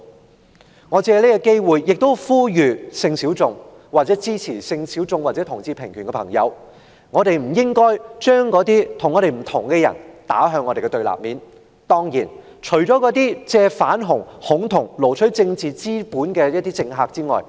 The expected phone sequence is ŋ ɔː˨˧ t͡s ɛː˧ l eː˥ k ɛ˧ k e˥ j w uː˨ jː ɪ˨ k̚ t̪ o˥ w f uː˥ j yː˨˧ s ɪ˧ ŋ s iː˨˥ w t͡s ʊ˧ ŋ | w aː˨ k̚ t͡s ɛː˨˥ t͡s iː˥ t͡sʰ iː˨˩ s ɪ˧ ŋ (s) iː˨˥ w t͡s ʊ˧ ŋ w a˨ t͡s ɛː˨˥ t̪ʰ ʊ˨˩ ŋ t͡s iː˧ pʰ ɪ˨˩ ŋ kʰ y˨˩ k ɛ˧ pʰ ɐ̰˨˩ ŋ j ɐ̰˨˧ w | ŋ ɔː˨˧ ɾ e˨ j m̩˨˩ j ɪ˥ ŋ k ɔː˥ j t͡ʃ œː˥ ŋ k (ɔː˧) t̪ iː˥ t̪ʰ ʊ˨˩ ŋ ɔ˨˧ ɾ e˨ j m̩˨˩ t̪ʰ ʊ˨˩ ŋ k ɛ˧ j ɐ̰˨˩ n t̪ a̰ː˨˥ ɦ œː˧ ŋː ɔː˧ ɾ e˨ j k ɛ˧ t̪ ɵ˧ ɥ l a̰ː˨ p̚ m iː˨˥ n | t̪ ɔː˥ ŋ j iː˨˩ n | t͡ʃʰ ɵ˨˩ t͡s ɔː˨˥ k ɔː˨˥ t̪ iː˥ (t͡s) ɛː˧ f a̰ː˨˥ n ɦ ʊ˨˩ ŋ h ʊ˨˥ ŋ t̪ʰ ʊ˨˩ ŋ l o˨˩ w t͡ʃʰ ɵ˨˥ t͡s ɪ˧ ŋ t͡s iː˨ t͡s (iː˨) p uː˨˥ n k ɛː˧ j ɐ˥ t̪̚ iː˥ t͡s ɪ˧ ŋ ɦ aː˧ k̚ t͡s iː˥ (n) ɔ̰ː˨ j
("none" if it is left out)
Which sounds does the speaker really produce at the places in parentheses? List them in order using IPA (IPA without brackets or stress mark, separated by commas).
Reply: s, ɔː˨˥, t͡s, iː˥, ŋ